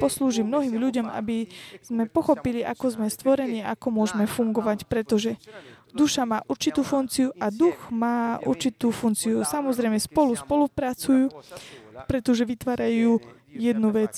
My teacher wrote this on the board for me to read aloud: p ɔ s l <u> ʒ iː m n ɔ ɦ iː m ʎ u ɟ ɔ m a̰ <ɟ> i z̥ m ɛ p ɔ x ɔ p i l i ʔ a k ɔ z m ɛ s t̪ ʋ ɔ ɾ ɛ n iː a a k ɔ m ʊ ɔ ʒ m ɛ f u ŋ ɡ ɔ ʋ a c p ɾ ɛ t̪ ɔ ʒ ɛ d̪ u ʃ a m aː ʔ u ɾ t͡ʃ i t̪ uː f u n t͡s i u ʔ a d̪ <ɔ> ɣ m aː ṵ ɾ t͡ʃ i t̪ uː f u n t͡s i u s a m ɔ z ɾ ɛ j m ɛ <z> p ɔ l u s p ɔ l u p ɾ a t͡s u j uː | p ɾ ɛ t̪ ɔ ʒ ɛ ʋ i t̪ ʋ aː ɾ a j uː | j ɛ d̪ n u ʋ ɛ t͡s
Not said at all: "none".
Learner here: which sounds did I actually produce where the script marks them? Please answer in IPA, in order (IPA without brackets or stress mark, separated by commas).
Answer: uː, b, u, s